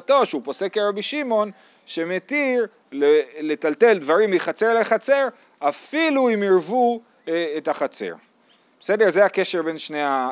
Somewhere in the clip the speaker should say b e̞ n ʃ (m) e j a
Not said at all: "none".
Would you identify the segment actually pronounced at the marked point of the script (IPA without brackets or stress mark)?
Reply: n